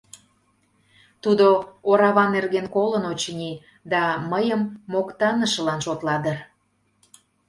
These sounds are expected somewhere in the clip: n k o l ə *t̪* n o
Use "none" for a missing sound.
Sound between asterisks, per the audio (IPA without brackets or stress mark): none